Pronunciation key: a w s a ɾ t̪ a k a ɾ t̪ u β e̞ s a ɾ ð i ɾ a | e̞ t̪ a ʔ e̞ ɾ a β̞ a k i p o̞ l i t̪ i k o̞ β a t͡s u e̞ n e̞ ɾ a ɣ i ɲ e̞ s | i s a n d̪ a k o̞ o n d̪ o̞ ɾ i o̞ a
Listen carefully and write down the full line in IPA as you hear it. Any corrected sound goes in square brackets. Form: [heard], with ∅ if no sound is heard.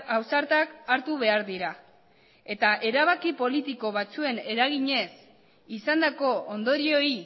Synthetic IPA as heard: a w s a ɾ t̪ a k a ɾ t̪ u β e̞ [∅] a ɾ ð i ɾ a | e̞ t̪ a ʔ e̞ ɾ a β̞ a k i p o̞ l i t̪ i k o̞ β a t͡s u e̞ n e̞ ɾ a ɣ i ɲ e̞ s | i s a n d̪ a k o̞ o n d̪ o̞ ɾ i o̞ [i]